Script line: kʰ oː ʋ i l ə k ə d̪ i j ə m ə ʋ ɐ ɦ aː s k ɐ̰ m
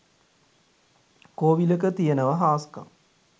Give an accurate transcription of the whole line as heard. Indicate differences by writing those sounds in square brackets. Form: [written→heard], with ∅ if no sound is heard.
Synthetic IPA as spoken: [kʰ→k] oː ʋ i l ə k ə [d̪→t̪] i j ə [m→n] ə ʋ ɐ ɦ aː s k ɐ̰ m